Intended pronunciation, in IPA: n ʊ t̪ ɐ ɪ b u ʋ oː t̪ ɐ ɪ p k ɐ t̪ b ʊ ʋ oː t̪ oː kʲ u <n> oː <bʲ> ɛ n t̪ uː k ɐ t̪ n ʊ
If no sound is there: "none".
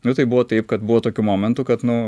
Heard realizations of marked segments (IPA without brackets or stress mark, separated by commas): m, mʲ